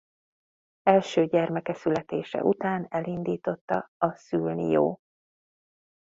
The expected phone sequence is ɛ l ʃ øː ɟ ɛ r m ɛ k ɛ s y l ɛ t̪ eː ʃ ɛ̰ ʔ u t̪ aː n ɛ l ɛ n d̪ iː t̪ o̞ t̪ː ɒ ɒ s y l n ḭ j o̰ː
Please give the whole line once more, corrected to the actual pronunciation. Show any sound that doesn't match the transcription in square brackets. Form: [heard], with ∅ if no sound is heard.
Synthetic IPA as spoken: ɛ l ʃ øː ɟ ɛ r m ɛ k ɛ s y l ɛ t̪ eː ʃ ɛ̰ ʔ u t̪ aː n ɛ l [i] n d̪ iː t̪ o̞ t̪ː ɒ ɒ s y l n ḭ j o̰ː